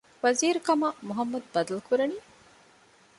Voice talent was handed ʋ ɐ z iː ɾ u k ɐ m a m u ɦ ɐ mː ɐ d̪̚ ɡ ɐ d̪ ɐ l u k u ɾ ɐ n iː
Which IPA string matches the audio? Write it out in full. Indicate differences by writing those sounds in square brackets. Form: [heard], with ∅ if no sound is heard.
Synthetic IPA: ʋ ɐ z iː ɾ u k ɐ m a m u ɦ ɐ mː ɐ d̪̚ [b] ɐ d̪ ɐ l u k u ɾ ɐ n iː